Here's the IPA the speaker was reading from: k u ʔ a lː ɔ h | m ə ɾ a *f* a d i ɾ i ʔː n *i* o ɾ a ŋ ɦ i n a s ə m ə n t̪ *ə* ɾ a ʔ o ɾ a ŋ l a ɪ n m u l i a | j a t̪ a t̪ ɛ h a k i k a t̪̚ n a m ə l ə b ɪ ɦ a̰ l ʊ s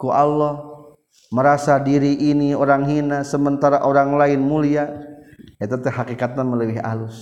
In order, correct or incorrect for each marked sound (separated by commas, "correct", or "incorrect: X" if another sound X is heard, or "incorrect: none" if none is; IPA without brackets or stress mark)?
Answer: incorrect: s, correct, incorrect: a